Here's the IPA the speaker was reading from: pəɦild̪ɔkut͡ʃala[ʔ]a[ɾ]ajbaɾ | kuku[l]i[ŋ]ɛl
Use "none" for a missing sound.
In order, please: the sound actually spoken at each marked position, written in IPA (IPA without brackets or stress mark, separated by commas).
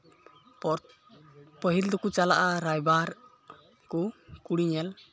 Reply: ʔ, ɾ, ɽ, ɲ